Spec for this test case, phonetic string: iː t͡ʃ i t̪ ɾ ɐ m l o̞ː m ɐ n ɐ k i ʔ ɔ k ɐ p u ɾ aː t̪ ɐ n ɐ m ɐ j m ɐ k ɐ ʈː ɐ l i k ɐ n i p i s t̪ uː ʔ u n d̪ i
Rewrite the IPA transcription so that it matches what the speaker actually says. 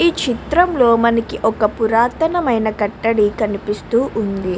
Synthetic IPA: iː t͡ʃ i t̪ ɾ ɐ m l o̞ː m ɐ n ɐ k i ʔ ɔ k ɐ p u ɾ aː t̪ ɐ n ɐ m ɐ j n ɐ k ɐ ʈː ɐ ɽ i k ɐ n i p i s t̪ uː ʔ u n d̪ i